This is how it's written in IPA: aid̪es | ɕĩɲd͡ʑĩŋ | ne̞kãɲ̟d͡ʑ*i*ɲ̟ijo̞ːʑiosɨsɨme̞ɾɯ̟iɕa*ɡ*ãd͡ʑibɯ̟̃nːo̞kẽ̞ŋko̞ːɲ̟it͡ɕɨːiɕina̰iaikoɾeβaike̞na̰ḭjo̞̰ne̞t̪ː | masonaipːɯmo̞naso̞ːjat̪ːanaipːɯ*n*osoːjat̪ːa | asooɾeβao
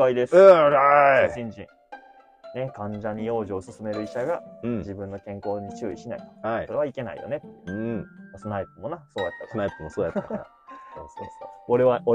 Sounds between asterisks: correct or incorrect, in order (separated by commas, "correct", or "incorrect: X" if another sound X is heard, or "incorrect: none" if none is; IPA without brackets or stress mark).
incorrect: a, correct, incorrect: m